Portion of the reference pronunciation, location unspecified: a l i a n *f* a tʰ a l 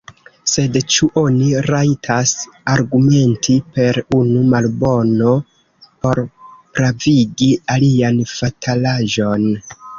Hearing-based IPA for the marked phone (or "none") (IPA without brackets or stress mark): f